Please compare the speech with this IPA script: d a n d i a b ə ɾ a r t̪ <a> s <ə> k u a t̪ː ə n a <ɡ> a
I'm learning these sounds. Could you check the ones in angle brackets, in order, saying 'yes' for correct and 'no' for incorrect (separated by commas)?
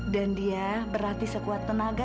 no, yes, yes